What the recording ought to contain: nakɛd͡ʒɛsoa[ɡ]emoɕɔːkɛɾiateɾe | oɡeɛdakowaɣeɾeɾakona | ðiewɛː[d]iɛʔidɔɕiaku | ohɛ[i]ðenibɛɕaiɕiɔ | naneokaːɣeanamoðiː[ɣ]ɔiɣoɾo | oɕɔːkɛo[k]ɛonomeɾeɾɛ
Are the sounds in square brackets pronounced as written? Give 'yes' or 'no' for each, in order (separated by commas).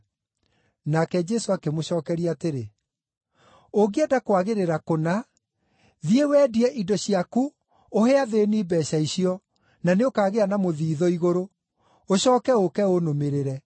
no, yes, no, no, yes